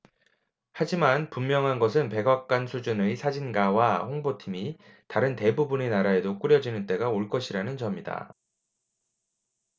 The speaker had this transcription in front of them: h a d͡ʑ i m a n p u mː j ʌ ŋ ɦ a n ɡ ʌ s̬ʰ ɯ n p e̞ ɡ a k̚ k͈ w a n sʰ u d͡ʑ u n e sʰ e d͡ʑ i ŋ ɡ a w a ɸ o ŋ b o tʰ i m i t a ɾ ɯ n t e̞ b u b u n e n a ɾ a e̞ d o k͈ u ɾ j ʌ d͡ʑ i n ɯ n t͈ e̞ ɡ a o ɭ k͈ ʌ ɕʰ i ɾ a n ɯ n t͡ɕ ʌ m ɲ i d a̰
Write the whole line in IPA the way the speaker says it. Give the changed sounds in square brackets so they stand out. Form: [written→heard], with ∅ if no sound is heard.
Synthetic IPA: h a d͡ʑ i m a n p u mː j ʌ ŋ ɦ a n ɡ ʌ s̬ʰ ɯ n p e̞ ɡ a k̚ k͈ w a n sʰ u d͡ʑ u n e sʰ [e→a] d͡ʑ i [ŋ→n] ɡ a w a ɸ o ŋ b o tʰ i m i t a ɾ ɯ n t e̞ b u b u n e n a ɾ a e̞ d o k͈ u ɾ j ʌ d͡ʑ i n ɯ n t͈ e̞ ɡ a o ɭ k͈ ʌ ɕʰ i ɾ a n ɯ n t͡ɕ ʌ m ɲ i d a̰

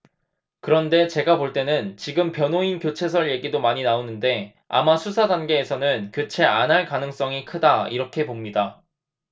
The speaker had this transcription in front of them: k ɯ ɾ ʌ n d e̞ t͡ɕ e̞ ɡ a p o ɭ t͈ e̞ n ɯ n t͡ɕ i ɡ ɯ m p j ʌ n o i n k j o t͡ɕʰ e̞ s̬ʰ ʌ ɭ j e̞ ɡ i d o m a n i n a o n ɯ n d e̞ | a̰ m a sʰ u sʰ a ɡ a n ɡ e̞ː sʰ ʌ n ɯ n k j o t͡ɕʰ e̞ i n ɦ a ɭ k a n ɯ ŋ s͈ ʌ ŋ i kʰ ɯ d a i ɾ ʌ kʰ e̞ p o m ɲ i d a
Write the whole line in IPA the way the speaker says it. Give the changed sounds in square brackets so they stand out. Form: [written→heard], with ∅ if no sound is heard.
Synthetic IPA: k ɯ ɾ ʌ n d e̞ t͡ɕ e̞ ɡ a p o ɭ t͈ e̞ n ɯ n t͡ɕ i ɡ ɯ m p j ʌ n o i n k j o t͡ɕʰ e̞ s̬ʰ ʌ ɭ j e̞ ɡ i d o m a [n→ɲ] i n a o n ɯ n d e̞ | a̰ m a sʰ u sʰ a [ɡ→d] a n ɡ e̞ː sʰ ʌ n ɯ n k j o t͡ɕʰ e̞ [i→a] n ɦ a ɭ k a n ɯ ŋ s͈ ʌ ŋ i kʰ ɯ d a i ɾ ʌ kʰ e̞ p o m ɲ i d a

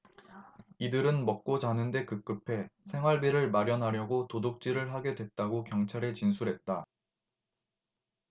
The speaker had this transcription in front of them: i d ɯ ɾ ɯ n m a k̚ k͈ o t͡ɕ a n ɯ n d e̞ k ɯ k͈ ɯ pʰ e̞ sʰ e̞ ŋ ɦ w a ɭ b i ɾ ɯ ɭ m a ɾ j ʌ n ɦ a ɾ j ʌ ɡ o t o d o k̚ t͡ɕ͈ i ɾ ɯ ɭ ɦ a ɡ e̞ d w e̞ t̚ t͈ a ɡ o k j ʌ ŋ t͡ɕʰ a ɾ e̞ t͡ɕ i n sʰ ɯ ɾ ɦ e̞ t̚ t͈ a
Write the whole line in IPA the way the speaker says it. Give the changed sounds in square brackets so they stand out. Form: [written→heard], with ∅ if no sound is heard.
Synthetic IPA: i d ɯ ɾ ɯ n m [a→ʌ] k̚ k͈ o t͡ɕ a n ɯ n d e̞ k ɯ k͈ ɯ pʰ e̞ sʰ e̞ ŋ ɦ w a ɭ b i ɾ ɯ ɭ m a ɾ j ʌ n ɦ a ɾ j ʌ ɡ o t o d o k̚ t͡ɕ͈ i ɾ ɯ ɭ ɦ a ɡ e̞ d w e̞ t̚ t͈ a ɡ o k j ʌ ŋ t͡ɕʰ a ɾ e̞ t͡ɕ i n sʰ [ɯ→u] ɾ ɦ e̞ t̚ t͈ a

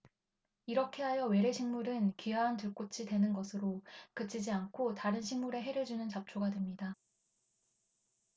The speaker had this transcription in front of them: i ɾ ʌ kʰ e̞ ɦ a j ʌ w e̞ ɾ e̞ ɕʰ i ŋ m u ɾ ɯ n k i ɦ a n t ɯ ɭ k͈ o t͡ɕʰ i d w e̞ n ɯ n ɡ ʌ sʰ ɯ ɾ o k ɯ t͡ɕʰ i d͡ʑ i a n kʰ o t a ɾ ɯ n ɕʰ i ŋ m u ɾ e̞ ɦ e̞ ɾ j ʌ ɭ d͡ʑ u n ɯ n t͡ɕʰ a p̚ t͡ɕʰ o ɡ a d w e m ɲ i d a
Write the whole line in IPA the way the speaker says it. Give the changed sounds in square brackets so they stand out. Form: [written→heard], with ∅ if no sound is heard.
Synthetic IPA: i ɾ ʌ kʰ e̞ ɦ a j ʌ w e̞ ɾ e̞ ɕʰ i ŋ m u ɾ ɯ n k i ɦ a n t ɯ ɭ k͈ o t͡ɕʰ i d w e̞ n ɯ n ɡ ʌ sʰ ɯ ɾ o k ɯ t͡ɕʰ i d͡ʑ i a n kʰ o t a ɾ ɯ n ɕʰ i ŋ m u ɾ e̞ ɦ e̞ ɾ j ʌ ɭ d͡ʑ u n ɯ n [t͡ɕʰ→t͡ɕ] a p̚ t͡ɕʰ o ɡ a d w e m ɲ i d a

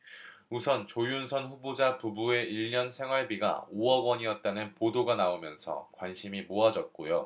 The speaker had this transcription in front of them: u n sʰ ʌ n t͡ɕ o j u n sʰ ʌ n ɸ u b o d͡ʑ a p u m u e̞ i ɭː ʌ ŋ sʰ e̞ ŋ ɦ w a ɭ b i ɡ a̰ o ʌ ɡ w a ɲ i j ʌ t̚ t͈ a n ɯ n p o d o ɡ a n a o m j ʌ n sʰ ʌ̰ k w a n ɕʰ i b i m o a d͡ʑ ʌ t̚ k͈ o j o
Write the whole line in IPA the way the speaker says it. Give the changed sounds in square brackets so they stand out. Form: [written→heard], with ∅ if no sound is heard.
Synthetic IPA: u [n→∅] sʰ ʌ n t͡ɕ o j u n sʰ ʌ n ɸ u b o d͡ʑ a p u [m→b] u e̞ i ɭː ʌ [ŋ→n] sʰ e̞ ŋ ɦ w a ɭ b i ɡ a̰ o ʌ ɡ w [a→ʌ] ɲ i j ʌ t̚ t͈ a n ɯ n p o d o ɡ a n a o m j ʌ n sʰ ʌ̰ k w a n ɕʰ i [b→m] i m o a d͡ʑ ʌ t̚ k͈ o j o

